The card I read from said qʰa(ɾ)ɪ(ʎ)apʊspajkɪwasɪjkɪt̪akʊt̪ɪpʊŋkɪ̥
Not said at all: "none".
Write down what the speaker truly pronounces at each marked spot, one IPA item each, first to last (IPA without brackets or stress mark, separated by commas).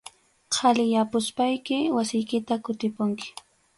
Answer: l, j